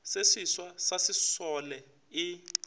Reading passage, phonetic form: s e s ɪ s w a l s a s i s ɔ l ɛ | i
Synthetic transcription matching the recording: s e s i s w a s a s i s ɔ l ɛ | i